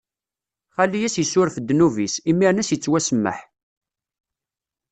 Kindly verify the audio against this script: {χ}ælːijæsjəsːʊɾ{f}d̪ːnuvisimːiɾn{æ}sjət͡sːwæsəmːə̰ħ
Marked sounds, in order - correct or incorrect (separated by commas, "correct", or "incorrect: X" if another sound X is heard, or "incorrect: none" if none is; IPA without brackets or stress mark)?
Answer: correct, correct, correct